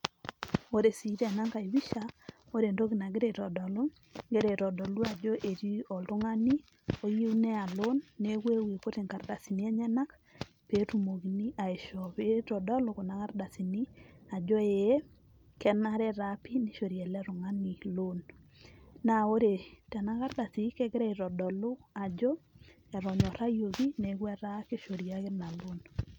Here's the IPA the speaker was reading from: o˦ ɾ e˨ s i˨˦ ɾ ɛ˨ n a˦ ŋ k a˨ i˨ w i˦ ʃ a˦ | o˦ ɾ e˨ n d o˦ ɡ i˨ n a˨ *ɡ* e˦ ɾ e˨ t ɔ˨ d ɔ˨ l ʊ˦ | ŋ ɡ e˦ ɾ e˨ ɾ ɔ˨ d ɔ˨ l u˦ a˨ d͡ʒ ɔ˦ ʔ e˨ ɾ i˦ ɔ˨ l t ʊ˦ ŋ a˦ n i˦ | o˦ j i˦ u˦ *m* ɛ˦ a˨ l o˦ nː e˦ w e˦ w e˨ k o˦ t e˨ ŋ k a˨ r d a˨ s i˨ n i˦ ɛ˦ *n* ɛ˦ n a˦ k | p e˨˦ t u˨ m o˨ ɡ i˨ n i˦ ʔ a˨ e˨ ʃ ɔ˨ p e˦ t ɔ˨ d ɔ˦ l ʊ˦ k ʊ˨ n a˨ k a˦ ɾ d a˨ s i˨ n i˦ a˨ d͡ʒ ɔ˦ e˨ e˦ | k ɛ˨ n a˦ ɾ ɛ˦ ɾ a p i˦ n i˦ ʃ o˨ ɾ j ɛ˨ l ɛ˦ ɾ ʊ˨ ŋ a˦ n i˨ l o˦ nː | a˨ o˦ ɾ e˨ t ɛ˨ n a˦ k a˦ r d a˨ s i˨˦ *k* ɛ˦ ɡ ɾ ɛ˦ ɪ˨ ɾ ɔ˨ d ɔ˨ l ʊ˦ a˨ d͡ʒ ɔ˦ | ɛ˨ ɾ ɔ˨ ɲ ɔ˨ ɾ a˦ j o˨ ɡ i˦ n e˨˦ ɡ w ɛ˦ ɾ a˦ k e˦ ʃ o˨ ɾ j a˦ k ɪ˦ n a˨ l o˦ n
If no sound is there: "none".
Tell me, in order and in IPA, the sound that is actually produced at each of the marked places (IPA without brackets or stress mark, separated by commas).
ɡ, n, ɲ, k